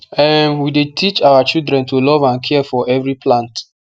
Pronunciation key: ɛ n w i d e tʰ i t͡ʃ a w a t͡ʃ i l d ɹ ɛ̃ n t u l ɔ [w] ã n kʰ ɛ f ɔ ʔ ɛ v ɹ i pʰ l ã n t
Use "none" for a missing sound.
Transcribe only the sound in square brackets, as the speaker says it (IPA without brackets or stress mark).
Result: v